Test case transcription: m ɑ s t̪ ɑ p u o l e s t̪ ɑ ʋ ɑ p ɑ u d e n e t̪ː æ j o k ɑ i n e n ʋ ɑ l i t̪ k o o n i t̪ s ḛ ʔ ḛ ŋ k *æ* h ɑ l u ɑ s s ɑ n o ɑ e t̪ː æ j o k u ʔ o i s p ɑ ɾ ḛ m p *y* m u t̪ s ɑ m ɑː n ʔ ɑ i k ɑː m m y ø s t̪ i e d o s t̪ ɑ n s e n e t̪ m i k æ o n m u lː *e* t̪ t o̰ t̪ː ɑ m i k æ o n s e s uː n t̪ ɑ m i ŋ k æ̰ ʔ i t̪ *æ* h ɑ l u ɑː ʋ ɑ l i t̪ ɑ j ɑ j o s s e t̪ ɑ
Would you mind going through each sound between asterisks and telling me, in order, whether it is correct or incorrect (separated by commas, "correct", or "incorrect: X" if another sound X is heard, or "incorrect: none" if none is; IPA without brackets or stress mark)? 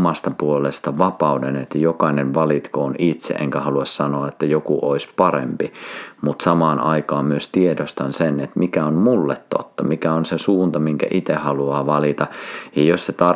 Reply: correct, incorrect: i, correct, incorrect: e